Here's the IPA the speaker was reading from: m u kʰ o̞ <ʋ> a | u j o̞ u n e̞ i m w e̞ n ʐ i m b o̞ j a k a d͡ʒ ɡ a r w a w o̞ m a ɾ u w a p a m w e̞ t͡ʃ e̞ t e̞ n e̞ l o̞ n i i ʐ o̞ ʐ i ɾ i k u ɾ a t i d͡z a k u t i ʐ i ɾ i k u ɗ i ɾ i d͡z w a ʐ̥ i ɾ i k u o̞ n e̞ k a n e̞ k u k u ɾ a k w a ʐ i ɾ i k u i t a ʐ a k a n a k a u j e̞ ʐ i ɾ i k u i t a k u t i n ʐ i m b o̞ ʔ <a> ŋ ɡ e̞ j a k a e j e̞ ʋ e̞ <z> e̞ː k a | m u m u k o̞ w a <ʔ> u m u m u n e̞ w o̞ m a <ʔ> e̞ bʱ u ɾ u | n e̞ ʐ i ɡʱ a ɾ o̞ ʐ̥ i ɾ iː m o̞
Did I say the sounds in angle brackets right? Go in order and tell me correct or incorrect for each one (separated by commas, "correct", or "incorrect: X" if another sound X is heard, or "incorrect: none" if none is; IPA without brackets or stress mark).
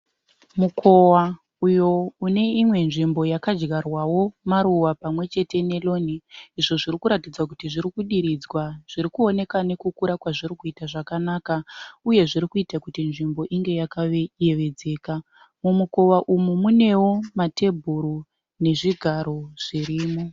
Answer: incorrect: w, incorrect: i, incorrect: d͡z, correct, incorrect: t